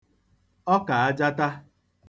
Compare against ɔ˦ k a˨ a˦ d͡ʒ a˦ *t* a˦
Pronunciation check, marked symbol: correct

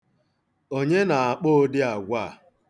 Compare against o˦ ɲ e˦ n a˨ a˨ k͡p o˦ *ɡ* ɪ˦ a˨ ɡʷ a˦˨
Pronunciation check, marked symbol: incorrect: d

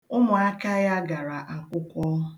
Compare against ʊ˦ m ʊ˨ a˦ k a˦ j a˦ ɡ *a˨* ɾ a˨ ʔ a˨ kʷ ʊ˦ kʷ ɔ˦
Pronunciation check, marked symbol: correct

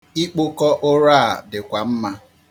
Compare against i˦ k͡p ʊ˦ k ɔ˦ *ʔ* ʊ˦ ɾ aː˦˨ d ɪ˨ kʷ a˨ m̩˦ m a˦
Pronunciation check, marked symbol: correct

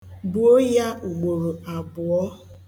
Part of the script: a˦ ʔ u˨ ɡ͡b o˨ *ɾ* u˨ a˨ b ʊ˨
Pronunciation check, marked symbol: correct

